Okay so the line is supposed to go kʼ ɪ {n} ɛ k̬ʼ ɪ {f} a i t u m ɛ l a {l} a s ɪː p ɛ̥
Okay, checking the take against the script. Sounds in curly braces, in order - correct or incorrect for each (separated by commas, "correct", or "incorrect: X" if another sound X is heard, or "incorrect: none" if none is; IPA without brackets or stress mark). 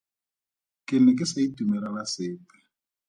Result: correct, incorrect: s, correct